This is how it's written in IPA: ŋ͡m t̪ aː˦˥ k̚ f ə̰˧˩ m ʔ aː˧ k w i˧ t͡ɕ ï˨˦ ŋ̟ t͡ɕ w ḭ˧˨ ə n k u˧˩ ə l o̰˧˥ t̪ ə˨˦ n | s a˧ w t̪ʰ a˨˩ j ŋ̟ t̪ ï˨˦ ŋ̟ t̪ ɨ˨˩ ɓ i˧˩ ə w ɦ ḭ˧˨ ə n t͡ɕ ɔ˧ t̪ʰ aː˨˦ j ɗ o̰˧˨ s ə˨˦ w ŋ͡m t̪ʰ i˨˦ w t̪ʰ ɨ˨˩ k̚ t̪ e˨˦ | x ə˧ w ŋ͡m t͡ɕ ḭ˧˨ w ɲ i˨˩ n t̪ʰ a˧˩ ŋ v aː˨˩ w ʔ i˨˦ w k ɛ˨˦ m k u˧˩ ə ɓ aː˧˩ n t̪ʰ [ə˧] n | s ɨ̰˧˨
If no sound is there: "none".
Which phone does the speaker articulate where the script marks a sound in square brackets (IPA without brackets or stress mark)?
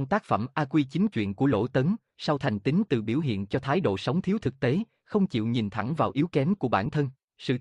ə˧